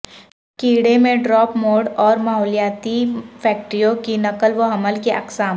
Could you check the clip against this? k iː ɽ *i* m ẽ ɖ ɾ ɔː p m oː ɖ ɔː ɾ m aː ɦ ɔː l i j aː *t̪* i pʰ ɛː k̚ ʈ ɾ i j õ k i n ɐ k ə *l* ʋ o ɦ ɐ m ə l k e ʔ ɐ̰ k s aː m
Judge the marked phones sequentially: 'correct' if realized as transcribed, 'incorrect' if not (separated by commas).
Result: incorrect, correct, correct